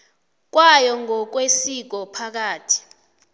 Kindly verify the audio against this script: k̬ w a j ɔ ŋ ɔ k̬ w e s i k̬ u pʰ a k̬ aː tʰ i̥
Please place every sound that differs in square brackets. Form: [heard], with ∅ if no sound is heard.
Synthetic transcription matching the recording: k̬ w a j ɔ ŋ ɔ k̬ w e s i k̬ [ɔ] pʰ a k̬ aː tʰ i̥